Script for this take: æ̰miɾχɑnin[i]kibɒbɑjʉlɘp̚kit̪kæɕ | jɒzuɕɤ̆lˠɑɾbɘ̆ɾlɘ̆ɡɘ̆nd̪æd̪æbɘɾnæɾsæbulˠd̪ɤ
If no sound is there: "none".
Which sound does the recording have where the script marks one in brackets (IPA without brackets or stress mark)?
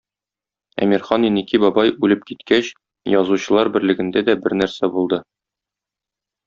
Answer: i